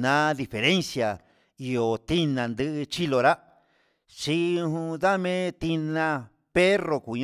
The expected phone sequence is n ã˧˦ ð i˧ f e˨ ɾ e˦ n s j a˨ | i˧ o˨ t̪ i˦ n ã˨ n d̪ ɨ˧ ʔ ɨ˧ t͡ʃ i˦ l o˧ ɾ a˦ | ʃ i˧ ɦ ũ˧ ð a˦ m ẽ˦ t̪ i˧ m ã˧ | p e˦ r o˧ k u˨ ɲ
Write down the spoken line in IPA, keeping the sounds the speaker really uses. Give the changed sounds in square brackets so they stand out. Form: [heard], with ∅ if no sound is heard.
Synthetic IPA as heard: n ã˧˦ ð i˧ f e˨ ɾ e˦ n s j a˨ | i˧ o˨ t̪ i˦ n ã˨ n d̪ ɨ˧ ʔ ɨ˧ t͡ʃ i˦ l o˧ ɾ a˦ | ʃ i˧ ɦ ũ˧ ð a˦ m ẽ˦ t̪ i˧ [n] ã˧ | p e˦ r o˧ k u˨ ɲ